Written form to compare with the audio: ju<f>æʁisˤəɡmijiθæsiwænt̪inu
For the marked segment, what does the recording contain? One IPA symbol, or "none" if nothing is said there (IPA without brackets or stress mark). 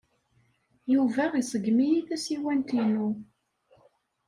v